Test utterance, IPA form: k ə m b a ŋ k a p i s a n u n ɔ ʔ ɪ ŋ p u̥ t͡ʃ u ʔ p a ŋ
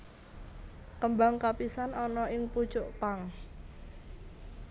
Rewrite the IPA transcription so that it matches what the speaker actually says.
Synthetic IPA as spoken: k ə m b a ŋ k a p i s a n ɔ n ɔ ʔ ɪ ŋ p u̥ t͡ʃ ʊ ʔ p a ŋ